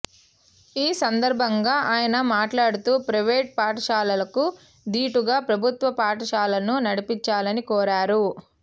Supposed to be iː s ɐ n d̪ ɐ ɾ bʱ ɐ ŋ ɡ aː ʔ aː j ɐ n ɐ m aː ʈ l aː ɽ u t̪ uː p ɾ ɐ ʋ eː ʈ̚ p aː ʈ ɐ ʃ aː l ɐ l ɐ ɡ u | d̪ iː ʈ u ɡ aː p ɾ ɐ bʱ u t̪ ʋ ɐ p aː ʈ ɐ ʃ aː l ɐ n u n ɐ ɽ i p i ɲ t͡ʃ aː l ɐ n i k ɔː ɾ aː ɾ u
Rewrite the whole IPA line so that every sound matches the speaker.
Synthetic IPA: iː s ɐ n d̪ ɐ ɾ bʱ ɐ ŋ ɡ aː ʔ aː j ɐ n ɐ m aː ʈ l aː ɽ u t̪ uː p ɾ ɐ ʋ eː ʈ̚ p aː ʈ ɐ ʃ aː l ɐ l ɐ k u | d̪ iː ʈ u ɡ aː p ɾ ɐ bʱ u t̪ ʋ ɐ p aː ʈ ɐ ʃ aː l ɐ n u n ɐ ɽ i p i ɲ t͡ʃ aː l ɐ n i k ɔː ɾ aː ɾ u